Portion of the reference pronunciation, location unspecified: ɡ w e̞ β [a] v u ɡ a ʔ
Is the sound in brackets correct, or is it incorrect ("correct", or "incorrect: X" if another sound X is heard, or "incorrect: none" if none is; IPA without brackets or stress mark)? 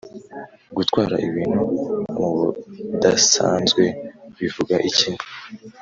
incorrect: i